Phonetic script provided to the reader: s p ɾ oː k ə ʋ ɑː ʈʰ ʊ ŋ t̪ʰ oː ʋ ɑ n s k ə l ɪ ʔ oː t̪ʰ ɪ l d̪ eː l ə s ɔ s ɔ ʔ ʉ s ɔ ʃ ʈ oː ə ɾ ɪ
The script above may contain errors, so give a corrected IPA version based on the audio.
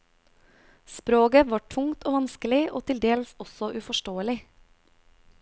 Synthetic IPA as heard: s p ɾ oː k ə ʋ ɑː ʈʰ ʊ ŋ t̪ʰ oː ʋ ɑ n s k ə l ɪ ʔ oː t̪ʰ ɪ l d̪ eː l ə s ɔ s ɔ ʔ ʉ f ɔ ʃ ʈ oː ə l ɪ